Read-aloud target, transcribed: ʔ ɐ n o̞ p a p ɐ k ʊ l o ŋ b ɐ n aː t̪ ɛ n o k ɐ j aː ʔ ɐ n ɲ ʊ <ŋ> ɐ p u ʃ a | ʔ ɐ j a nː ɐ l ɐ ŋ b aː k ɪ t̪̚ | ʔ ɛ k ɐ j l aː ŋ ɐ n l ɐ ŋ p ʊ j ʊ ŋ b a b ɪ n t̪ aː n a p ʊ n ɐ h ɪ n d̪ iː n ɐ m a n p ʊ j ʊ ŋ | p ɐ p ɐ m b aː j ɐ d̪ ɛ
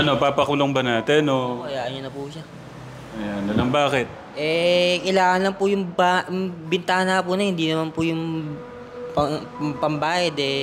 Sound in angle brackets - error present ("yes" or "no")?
yes